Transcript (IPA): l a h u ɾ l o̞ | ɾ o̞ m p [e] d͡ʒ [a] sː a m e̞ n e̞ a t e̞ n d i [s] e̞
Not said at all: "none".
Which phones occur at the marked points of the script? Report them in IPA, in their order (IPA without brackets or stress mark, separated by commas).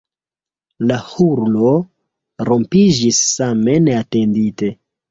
i, i, t